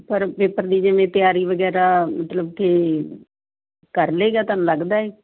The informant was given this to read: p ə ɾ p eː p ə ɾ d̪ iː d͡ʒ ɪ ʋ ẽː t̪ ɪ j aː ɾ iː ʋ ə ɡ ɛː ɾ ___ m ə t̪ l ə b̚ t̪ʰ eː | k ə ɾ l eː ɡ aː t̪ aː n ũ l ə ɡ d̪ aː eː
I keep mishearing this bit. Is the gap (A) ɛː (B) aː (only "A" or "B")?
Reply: B